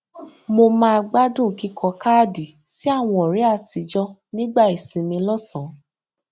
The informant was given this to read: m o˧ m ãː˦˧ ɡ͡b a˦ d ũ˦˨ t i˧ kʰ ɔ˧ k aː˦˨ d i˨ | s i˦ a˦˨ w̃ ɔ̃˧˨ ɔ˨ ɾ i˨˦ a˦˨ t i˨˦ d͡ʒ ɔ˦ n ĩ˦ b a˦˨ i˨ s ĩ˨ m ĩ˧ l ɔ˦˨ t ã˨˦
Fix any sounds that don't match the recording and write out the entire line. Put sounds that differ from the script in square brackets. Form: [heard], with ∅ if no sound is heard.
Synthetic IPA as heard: m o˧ m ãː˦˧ ɡ͡b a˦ d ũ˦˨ [k] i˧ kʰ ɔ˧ k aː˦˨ d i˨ | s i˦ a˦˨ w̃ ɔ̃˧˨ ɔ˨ ɾ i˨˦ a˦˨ t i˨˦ d͡ʒ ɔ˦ n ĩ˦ [ɡ͡b] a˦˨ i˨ s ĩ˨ m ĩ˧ l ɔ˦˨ [s] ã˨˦